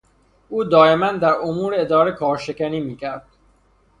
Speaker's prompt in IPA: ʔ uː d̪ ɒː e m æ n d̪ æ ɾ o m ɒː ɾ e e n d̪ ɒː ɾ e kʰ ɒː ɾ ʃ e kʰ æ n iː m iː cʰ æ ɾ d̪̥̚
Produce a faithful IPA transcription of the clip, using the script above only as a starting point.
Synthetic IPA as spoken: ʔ uː d̪ ɒː e m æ n d̪ æ ɾ o m uː ɾ e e d̪ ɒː ɾ e kʰ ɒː ɾ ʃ e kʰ æ n iː m iː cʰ æ ɾ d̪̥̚